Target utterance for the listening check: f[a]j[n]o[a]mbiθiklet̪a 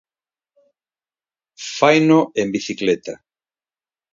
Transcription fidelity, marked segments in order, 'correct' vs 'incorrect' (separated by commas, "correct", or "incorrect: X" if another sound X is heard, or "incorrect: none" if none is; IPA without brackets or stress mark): correct, correct, incorrect: e